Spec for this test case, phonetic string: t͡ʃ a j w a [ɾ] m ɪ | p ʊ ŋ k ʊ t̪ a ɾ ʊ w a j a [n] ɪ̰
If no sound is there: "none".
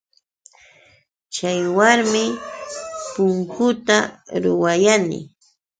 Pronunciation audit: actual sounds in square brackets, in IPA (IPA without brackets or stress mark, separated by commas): ɾ, n